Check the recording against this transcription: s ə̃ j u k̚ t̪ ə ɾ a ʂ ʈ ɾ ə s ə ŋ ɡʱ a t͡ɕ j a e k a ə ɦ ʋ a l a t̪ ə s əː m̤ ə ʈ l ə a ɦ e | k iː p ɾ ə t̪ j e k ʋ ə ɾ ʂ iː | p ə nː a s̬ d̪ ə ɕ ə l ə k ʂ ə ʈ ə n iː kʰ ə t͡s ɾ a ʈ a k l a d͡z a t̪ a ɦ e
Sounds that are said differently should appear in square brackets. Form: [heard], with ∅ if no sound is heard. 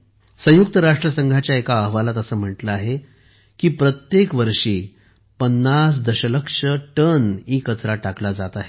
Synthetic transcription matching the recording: s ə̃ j u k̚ t̪ ə ɾ a ʂ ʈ ɾ ə s ə ŋ ɡʱ a t͡ɕ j a e k a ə ɦ ʋ a l a t̪ ə s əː m̤ ə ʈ l ə a ɦ e | k iː p ɾ ə t̪ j e k ʋ ə ɾ ʂ iː | p ə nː a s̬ d̪ ə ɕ ə l ə k ʂ ə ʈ ə n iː [k] ə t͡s ɾ a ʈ a k l a d͡z a t̪ a ɦ e